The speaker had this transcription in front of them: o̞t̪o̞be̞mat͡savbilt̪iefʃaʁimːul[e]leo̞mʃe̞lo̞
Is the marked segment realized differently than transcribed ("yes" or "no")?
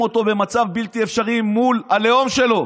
yes